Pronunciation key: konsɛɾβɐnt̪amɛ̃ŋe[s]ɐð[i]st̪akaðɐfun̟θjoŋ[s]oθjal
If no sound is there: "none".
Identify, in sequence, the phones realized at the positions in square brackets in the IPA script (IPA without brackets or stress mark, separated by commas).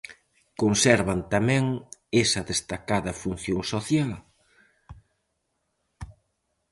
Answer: s, e, s